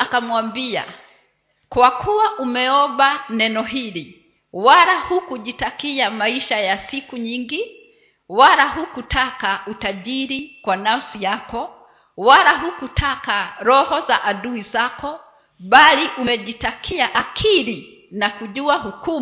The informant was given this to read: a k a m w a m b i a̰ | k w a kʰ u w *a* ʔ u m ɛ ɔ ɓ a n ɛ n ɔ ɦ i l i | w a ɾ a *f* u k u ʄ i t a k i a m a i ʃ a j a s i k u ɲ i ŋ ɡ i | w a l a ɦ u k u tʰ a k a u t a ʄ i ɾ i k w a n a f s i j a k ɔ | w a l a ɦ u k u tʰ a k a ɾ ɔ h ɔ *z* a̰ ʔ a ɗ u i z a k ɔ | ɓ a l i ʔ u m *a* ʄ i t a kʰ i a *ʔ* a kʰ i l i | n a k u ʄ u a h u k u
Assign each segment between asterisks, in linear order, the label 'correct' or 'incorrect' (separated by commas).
correct, incorrect, correct, incorrect, correct